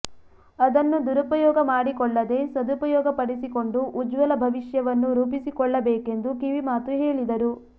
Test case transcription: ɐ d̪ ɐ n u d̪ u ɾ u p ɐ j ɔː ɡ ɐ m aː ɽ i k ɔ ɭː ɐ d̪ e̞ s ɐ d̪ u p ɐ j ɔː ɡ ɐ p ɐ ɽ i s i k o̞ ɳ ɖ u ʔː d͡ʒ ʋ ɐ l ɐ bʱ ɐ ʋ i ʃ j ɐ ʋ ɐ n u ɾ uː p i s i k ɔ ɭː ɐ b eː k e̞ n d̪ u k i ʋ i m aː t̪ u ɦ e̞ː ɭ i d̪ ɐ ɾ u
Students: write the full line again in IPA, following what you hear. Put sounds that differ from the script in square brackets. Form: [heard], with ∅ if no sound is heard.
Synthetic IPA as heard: ɐ d̪ ɐ [nː] u d̪ u ɾ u p ɐ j ɔː ɡ ɐ m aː ɽ i k ɔ ɭː ɐ d̪ e̞ s ɐ d̪ u p ɐ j ɔː ɡ ɐ p ɐ ɽ i s i k o̞ ɳ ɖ u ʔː d͡ʒ ʋ ɐ l ɐ bʱ ɐ ʋ i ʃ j ɐ ʋ ɐ [nː] u ɾ uː p i s i k ɔ ɭː ɐ b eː k e̞ n d̪ u k i ʋ i m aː t̪ u ɦ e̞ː ɭ i d̪ ɐ ɾ u